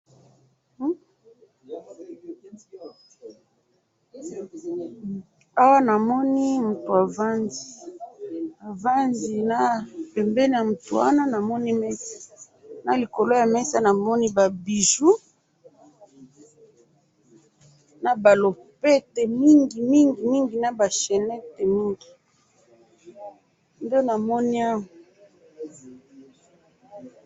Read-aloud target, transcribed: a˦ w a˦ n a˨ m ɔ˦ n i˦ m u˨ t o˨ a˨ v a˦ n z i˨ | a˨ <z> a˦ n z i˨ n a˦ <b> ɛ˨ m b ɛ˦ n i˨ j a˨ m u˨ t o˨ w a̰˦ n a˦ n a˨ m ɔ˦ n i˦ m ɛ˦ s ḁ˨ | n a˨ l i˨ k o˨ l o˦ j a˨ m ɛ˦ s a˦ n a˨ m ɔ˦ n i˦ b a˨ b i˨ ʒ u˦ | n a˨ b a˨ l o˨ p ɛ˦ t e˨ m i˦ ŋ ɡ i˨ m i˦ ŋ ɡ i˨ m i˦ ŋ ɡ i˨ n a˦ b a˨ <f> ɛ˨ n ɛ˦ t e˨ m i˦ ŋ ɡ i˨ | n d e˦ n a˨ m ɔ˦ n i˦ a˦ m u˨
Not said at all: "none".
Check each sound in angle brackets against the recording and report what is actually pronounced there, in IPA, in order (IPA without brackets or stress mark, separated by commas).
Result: v, p, ʃ